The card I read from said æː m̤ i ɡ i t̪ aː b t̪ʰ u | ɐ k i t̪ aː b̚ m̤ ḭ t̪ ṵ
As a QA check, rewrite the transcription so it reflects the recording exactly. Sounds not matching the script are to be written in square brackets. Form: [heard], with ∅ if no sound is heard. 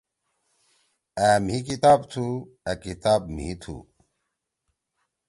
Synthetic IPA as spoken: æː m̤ i [k] i t̪ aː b t̪ʰ u | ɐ k i t̪ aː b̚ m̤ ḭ [t̪ʰ] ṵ